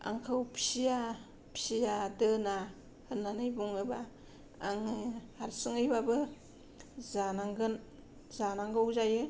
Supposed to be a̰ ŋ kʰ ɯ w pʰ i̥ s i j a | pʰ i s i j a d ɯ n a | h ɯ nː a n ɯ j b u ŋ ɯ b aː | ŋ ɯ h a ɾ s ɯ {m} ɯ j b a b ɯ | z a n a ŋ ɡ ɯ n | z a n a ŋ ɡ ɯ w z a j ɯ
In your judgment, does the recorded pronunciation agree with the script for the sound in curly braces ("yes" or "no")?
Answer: no